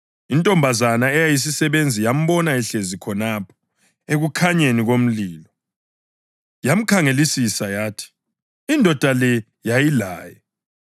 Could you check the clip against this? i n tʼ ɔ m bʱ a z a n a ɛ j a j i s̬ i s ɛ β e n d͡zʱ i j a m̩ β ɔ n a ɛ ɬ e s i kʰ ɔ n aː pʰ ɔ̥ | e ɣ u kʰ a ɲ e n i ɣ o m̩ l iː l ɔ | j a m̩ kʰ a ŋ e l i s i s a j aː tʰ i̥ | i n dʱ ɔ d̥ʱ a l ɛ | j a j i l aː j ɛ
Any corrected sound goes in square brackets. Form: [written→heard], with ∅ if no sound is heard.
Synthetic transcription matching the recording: i n tʼ ɔ m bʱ a z a n a ɛ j a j i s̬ i s ɛ β e n d͡zʱ i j a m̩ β ɔ n a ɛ ɬ e [s→z] i kʰ ɔ n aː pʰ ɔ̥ | e ɣ u kʰ a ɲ e n i ɣ o m̩ l iː l ɔ | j a m̩ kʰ a ŋ e l i s i s a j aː tʰ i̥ | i n dʱ ɔ d̥ʱ a l ɛ | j a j i l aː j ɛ